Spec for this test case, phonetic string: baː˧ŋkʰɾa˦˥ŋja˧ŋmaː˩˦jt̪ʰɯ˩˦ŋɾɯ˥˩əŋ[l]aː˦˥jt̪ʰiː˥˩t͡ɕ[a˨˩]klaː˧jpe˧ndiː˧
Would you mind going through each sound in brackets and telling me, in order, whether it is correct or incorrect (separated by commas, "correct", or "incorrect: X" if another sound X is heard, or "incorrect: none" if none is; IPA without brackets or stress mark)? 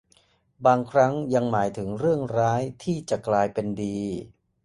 incorrect: ɾ, correct